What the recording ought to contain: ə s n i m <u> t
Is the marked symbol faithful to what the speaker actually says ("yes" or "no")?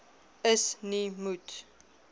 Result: yes